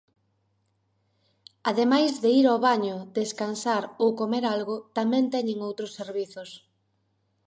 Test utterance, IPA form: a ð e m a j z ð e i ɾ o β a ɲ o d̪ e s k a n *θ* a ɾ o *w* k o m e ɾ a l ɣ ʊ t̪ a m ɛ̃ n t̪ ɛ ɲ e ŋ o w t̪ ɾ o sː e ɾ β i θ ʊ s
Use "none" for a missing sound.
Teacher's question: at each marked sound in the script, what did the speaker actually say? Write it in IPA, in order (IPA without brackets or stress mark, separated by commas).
s, w